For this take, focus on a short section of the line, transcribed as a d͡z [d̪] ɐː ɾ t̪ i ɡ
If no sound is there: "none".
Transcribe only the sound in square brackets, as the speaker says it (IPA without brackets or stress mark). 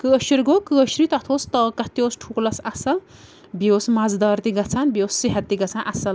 d̪